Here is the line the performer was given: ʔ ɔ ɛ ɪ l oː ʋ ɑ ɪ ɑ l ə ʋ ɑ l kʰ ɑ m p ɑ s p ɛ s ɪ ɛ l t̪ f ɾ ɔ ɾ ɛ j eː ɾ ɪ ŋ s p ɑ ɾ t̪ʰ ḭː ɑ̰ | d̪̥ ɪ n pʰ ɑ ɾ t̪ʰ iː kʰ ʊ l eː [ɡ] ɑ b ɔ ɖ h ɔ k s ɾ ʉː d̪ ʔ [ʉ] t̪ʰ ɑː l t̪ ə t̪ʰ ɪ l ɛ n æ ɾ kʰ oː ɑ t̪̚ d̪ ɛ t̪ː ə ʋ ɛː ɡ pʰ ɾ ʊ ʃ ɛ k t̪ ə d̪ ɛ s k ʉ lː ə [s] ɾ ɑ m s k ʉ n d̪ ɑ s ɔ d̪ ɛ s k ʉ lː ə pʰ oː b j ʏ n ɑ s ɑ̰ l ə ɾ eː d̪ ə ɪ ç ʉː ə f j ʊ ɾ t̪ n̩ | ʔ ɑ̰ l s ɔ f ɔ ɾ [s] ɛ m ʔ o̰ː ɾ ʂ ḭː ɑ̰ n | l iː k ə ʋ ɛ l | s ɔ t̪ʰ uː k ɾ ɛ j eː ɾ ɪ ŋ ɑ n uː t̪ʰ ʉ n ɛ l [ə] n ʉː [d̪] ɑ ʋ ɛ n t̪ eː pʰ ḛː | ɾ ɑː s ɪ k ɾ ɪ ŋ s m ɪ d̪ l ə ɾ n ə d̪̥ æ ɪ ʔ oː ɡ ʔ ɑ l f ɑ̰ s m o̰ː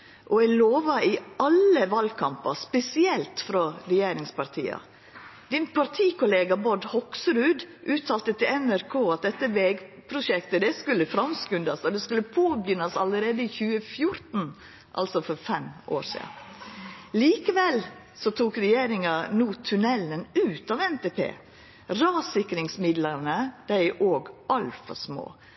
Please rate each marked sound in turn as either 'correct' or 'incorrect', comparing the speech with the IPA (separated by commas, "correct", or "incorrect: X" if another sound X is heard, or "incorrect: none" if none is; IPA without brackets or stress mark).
correct, incorrect: ʉː, incorrect: f, incorrect: f, correct, incorrect: t̪